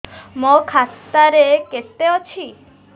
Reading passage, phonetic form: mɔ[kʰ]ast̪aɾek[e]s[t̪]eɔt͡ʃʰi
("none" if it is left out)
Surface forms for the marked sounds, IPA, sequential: kʰ, e, t̪

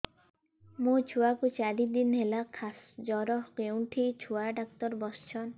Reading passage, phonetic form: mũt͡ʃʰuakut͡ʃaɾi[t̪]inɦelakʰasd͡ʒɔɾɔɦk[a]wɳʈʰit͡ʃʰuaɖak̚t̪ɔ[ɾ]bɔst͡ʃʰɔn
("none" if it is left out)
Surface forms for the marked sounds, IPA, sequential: d̪, e, ɾ

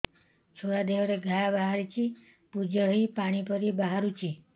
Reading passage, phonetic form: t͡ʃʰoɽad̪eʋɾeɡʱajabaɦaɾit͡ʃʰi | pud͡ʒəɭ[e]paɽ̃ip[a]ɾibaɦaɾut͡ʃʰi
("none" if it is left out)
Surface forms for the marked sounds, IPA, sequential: i, ə

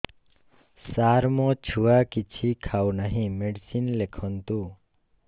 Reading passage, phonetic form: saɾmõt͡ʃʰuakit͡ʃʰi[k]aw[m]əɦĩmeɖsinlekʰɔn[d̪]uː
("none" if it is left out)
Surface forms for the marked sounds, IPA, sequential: kʰ, n, t̪

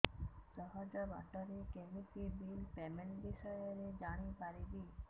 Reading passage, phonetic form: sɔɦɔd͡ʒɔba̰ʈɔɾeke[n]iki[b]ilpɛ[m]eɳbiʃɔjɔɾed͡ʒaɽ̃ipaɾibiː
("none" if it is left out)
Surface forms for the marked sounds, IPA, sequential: m, b, m

